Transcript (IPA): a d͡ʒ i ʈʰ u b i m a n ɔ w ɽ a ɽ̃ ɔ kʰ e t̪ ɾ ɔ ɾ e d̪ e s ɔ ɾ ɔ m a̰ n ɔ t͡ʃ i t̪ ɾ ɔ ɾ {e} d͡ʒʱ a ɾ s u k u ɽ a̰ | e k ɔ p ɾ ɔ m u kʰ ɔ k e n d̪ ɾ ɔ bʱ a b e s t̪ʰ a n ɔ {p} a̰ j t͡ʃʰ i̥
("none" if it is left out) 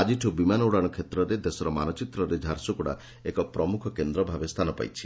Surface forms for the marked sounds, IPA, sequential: e, p

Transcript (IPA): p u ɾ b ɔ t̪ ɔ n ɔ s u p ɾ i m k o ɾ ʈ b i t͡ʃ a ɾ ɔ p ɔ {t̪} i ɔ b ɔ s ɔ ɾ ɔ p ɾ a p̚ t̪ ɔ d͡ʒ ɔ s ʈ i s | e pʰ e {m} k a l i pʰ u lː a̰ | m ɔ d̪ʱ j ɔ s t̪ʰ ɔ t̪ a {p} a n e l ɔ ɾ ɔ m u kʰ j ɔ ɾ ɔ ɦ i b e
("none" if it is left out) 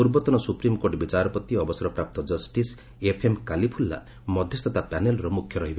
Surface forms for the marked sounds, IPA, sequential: t̪, m, p

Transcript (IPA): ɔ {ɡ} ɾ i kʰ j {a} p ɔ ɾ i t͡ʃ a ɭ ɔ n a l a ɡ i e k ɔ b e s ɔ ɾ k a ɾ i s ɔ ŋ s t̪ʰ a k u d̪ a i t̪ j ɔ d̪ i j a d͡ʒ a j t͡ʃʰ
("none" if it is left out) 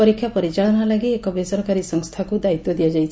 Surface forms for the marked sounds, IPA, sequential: none, a

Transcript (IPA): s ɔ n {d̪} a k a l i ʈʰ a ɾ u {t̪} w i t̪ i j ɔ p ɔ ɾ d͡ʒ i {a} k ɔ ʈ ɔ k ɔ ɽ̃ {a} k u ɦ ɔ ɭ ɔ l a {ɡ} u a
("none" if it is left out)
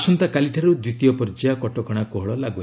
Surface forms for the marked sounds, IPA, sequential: t̪, d̪, a, a, ɡ

